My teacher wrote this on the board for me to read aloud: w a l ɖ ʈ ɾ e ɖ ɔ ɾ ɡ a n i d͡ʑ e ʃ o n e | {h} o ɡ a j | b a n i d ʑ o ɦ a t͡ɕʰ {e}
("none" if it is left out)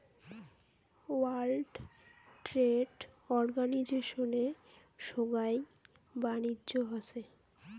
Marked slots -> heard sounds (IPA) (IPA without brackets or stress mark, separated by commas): ʃ, e